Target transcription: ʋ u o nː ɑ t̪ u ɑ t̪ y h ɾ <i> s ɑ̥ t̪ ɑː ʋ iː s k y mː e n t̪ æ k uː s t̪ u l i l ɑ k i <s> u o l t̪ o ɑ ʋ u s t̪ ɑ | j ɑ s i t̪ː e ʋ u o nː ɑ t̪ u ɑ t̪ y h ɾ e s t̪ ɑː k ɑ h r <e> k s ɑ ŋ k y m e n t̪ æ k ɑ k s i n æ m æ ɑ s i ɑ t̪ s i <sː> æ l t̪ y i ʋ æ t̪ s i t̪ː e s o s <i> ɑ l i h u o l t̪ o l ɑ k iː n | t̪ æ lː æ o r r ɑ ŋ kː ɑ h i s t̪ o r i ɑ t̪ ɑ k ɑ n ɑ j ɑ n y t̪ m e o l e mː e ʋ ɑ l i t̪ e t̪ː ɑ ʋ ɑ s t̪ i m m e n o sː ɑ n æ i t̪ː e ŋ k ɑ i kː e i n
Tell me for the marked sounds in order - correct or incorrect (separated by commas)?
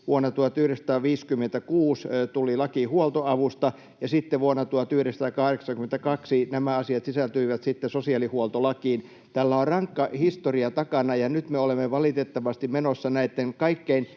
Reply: incorrect, incorrect, correct, incorrect, correct